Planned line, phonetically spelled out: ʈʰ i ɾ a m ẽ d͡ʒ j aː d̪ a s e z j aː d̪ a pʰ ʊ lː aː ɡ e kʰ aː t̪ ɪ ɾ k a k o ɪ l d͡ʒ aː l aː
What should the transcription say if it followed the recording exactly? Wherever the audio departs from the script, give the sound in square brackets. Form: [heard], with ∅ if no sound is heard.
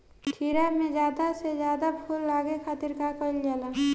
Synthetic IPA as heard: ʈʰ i ɾ a m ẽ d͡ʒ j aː d̪ a s e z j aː d̪ a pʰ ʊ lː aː ɡ e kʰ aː t̪ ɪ ɾ k a k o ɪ l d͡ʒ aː l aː